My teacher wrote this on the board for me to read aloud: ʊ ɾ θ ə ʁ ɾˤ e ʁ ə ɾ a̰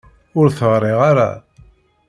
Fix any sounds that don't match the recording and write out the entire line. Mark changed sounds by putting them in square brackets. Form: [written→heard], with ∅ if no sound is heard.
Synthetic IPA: ʊ ɾ θ ə ʁ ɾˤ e ʁ [ə→a] ɾ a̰